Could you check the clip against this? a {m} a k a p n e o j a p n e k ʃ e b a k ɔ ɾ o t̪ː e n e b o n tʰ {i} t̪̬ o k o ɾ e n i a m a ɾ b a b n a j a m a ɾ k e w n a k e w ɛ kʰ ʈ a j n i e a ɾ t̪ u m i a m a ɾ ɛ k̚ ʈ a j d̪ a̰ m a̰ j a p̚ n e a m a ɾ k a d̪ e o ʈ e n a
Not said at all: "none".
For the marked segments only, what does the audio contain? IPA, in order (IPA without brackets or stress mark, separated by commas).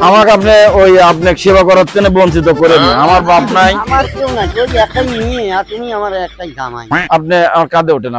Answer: m, i